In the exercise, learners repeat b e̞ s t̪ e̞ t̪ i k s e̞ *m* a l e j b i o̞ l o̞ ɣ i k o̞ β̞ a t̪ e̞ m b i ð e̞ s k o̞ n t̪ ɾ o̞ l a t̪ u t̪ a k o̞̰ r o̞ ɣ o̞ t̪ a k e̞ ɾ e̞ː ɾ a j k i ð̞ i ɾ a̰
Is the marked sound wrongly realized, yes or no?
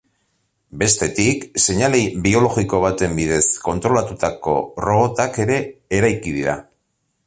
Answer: yes